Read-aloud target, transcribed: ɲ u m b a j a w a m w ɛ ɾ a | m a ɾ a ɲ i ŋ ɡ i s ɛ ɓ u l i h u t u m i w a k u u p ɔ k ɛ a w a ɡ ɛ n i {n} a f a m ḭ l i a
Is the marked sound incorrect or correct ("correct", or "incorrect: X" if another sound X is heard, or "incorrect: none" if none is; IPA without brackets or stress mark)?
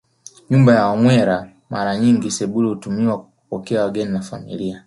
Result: correct